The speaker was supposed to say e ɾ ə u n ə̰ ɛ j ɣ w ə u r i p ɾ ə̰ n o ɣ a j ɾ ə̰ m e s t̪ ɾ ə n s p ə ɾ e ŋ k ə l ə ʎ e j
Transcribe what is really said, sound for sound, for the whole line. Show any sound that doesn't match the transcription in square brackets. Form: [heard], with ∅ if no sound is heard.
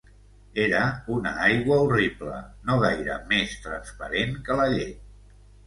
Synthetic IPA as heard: e ɾ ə u n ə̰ [a] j ɣ w ə u r i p [l] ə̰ n o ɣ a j ɾ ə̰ m e s t̪ ɾ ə n s p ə ɾ e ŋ k ə l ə ʎ e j

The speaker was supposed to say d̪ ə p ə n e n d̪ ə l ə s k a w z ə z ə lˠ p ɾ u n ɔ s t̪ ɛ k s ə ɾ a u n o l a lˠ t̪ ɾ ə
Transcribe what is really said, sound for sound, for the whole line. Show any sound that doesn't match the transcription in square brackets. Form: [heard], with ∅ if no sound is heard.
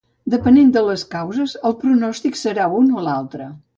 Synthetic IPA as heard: d̪ ə p ə n e n d̪ ə l ə s k a w z ə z ə lˠ p ɾ u n ɔ s t̪ [i] k s ə ɾ a u n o l a lˠ t̪ ɾ ə

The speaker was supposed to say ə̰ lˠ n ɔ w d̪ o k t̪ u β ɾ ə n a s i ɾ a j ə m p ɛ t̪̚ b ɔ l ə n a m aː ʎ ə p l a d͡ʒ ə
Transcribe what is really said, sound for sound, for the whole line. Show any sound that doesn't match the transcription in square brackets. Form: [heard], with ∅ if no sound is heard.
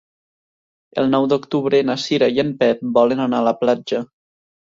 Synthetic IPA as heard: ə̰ lˠ n ɔ w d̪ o k t̪ u β ɾ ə n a s i ɾ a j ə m p ɛ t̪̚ b ɔ l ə n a [n] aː [l] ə p l a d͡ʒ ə

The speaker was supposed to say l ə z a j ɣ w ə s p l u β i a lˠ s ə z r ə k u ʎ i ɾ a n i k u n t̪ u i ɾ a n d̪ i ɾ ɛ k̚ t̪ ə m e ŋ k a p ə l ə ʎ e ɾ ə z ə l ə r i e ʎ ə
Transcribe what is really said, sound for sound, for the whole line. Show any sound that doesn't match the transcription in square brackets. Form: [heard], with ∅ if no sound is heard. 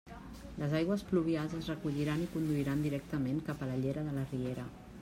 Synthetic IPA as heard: l ə z a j ɣ w ə s p l u β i a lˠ [z] ə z r ə k u ʎ i ɾ a n i k u n [d̪] u i ɾ a n d̪ i ɾ ɛ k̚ t̪ ə m e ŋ k a p ə l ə ʎ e ɾ ə [ð] ə l ə r i e [ɾ] ə

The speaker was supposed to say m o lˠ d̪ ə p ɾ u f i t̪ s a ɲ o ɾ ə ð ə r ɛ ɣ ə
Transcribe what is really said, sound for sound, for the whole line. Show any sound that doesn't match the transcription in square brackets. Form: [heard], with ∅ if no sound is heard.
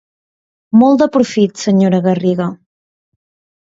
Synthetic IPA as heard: m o lˠ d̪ ə p ɾ u f i t̪ s [ə] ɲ o ɾ ə [ɣ] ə r [i] ɣ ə

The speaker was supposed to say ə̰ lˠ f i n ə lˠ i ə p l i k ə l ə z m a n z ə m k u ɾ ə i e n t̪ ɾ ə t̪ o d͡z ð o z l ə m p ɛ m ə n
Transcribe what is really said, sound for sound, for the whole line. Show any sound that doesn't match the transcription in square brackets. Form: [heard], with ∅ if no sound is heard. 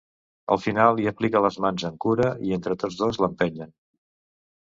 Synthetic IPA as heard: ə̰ lˠ f i n [a] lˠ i ə p l i k ə l ə z m a n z ə [ŋ] k u ɾ ə i e n t̪ ɾ ə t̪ o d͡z ð o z l ə m p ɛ [ɲ] ə n

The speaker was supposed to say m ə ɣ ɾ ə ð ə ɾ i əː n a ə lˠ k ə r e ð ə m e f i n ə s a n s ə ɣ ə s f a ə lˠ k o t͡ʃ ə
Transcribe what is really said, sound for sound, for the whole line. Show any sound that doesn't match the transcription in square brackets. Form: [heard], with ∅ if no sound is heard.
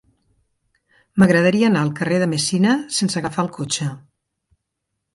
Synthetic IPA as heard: m ə ɣ ɾ ə ð ə ɾ i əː n a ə lˠ k ə r e ð ə m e [s] i n ə s [e] n s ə ɣ ə [∅] f a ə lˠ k o t͡ʃ ə

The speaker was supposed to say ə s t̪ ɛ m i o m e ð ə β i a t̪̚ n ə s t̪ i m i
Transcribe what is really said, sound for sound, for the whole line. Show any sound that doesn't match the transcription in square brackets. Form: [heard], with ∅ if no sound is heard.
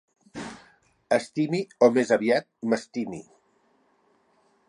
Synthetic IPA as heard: ə s t̪ [i] m i o m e [z] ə β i a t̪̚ [m] ə s t̪ i m i

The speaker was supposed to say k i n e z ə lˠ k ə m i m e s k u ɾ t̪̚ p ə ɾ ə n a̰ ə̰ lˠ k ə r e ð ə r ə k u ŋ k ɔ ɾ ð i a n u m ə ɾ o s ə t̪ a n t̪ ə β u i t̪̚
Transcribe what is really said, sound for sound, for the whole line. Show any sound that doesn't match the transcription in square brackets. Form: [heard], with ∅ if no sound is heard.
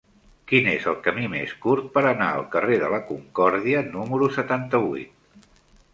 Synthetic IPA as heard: k i n e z ə lˠ k ə m i m e s k u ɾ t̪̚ p ə ɾ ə n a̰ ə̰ lˠ k ə r e ð ə [l] ə k u ŋ k ɔ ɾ ð i [ə] n u m ə ɾ [u] s ə t̪ a n t̪ ə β u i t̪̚

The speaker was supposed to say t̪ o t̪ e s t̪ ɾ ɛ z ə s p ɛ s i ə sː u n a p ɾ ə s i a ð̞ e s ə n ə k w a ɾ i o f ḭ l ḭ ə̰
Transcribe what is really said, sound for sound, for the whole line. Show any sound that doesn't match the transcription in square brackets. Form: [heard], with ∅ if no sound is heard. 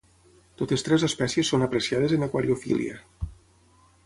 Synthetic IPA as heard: t̪ o t̪ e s t̪ ɾ ɛ z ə s p ɛ s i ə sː [o] n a p ɾ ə s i a ð̞ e [z] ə n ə k w a ɾ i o f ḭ l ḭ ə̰

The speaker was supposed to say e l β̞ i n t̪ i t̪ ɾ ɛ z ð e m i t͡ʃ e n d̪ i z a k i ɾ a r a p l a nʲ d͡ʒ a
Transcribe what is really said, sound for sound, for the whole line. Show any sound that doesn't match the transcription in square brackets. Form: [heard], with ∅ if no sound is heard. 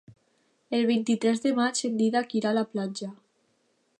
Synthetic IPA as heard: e l β̞ i n t̪ i t̪ ɾ ɛ z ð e m [a] t͡ʃ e n d̪ i [ð] a k i ɾ a [l] a p l a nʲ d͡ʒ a

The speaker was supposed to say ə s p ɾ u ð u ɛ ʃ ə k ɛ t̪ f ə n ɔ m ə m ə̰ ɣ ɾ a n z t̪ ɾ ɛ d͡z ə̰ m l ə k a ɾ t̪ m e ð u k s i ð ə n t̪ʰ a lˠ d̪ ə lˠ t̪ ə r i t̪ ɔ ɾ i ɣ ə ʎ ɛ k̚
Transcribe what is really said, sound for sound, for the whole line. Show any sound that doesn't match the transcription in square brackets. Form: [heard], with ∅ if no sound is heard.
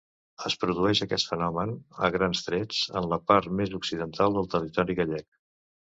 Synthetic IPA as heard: ə s p ɾ u ð u ɛ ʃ ə k ɛ t̪ f ə n ɔ m ə [n] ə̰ ɣ ɾ a n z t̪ ɾ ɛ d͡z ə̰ [n] l ə [p] a ɾ t̪ m e [z] u k s i ð ə n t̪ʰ a lˠ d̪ ə lˠ t̪ ə r i t̪ ɔ ɾ i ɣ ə ʎ ɛ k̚

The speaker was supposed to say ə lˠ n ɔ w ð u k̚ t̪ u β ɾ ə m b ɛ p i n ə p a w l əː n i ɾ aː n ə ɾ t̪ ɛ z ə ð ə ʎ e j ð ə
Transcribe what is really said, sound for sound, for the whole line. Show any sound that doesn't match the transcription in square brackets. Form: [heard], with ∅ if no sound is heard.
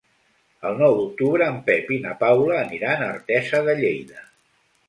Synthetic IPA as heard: ə lˠ n ɔ w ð u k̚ t̪ u β ɾ [əː] m [p] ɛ p i n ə p a w l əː n i ɾ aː n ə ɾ t̪ ɛ z ə ð ə ʎ e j ð ə

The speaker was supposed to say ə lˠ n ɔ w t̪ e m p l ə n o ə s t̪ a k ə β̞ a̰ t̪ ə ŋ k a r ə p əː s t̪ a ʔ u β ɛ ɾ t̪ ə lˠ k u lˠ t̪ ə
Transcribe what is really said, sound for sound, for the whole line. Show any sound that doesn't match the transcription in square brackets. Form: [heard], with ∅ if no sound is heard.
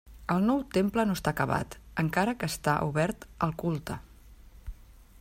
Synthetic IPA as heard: ə lˠ n ɔ w t̪ e m p l ə n o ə s t̪ a k ə β̞ a̰ t̪ ə ŋ k a [ɾ] ə [k] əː s t̪ a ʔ u β ɛ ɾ t̪ ə lˠ k u lˠ t̪ ə

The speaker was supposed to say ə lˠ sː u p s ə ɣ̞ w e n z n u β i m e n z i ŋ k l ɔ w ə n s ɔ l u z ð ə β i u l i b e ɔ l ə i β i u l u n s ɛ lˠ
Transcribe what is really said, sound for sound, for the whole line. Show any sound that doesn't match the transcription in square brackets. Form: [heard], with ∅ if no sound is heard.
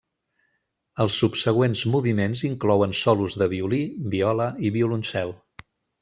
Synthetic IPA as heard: ə lˠ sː u p s ə ɣ̞ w e n z [m] u β i m e n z i ŋ k l ɔ w ə n s ɔ l u z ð ə β i u l i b [i] ɔ l ə i β i u l u n s ɛ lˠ

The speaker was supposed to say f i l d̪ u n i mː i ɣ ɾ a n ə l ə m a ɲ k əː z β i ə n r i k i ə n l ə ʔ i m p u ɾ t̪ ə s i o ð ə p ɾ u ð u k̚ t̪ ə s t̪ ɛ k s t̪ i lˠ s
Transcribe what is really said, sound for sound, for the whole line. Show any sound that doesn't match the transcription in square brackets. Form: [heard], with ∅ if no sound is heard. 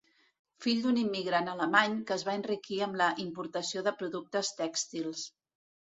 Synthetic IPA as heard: f i [ʎ] d̪ u n i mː i ɣ ɾ a n ə l ə m a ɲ k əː z β [a] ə n r i k i ə [m] l ə ʔ i m p u ɾ t̪ ə s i o ð ə p ɾ u ð u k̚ t̪ ə s t̪ ɛ k s t̪ i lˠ s

